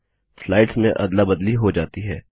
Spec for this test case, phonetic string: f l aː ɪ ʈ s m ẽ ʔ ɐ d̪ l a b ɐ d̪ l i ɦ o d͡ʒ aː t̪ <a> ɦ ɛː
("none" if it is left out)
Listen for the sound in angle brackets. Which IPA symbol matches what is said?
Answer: i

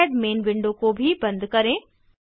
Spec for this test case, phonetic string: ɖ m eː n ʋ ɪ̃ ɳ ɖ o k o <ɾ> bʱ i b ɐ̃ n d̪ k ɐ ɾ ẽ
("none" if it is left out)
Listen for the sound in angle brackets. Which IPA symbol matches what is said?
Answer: none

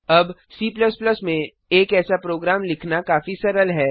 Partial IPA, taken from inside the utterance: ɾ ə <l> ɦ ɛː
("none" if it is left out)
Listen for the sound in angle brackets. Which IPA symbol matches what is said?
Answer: l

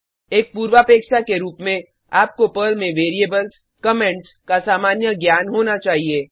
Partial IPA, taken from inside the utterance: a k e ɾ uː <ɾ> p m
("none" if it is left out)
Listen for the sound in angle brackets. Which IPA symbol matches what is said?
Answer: none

